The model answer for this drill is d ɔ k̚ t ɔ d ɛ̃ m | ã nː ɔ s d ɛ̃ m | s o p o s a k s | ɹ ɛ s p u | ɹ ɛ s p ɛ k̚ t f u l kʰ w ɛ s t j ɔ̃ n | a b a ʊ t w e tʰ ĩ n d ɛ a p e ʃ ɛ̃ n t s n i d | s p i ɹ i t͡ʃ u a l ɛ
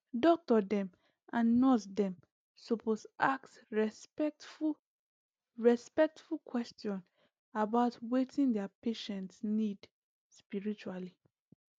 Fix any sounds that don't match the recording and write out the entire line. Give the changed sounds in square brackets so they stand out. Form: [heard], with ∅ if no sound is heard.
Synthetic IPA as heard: d ɔ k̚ t ɔ d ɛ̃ m | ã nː ɔ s d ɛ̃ m | s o p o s a k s | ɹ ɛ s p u | ɹ ɛ s p ɛ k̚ t f u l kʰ w ɛ s t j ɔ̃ n | a b a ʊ t w e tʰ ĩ n d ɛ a p e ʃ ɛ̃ n t s n i d | s p i ɹ i t͡ʃ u a l [i]